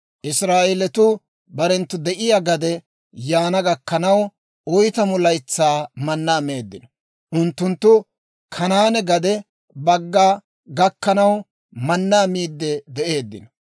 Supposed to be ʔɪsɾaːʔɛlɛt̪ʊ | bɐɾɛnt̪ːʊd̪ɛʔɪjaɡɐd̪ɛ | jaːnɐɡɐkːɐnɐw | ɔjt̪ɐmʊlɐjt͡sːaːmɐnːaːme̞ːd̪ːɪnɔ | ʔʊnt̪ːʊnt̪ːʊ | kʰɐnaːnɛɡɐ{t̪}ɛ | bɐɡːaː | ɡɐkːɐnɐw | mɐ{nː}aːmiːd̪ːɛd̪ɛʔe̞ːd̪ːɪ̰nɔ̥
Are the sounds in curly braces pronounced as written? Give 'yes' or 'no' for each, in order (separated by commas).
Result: no, yes